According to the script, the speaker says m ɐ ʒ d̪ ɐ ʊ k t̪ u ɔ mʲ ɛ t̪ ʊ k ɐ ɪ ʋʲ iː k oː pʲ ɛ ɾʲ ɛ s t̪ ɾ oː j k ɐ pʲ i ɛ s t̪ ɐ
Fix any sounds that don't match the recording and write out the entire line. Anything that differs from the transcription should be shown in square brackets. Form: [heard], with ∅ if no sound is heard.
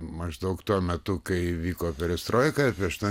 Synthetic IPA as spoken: m ɐ ʒ d̪ ɐ ʊ k t̪ u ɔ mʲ ɛ t̪ ʊ k ɐ ɪ ʋʲ iː k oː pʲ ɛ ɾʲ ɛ s t̪ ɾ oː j k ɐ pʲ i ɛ [ʃ] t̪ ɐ